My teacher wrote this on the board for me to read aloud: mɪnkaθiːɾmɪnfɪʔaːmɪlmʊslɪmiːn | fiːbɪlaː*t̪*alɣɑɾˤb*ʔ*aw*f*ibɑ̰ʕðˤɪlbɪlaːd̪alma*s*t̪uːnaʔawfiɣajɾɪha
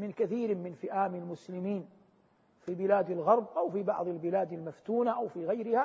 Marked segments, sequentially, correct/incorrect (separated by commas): incorrect, correct, correct, incorrect